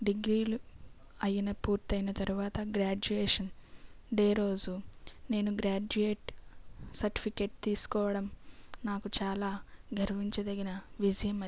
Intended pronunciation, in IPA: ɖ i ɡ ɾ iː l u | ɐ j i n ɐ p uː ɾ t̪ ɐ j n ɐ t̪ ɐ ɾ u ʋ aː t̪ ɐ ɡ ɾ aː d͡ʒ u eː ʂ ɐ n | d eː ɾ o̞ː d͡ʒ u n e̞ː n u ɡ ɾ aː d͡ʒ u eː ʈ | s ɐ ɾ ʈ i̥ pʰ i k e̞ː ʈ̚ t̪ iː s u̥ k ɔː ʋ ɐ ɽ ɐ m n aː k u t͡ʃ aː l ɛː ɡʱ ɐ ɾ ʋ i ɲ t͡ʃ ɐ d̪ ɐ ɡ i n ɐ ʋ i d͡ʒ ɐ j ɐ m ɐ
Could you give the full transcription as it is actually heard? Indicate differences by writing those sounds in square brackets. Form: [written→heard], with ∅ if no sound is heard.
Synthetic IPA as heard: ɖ i ɡ ɾ iː l u | ɐ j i n ɐ p uː ɾ t̪ ɐ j n ɐ t̪ ɐ ɾ u ʋ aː t̪ ɐ ɡ ɾ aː d͡ʒ u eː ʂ ɐ n | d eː ɾ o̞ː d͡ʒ u n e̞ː n u ɡ ɾ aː d͡ʒ u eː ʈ | s ɐ ɾ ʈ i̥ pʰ i k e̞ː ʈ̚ t̪ iː s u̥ k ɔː ʋ ɐ ɽ ɐ m n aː k u t͡ʃ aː l [ɛː→aː] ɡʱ ɐ ɾ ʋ i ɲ t͡ʃ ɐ d̪ ɐ ɡ i n ɐ ʋ i d͡ʒ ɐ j ɐ m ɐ